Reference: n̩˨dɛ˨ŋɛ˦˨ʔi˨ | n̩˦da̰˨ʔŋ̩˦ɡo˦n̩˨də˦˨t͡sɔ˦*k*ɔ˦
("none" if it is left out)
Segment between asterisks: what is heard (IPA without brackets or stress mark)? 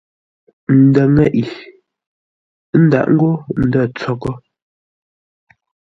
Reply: k